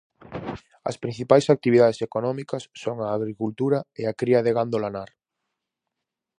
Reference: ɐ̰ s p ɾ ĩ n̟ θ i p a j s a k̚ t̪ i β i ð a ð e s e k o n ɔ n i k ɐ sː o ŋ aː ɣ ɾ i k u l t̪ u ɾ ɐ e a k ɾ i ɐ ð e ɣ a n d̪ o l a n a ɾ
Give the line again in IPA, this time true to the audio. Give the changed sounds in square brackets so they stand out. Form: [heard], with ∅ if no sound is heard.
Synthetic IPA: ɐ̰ s p ɾ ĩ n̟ θ i p a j s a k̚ t̪ i β i ð a ð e s e k o n ɔ [m] i k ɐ sː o ŋ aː ɣ ɾ i k u l t̪ u ɾ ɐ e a k ɾ i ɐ ð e ɣ a n d̪ o l a n a ɾ